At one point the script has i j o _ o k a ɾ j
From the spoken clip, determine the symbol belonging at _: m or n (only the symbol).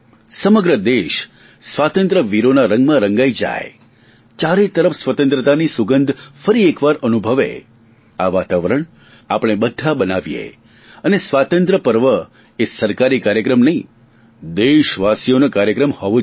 n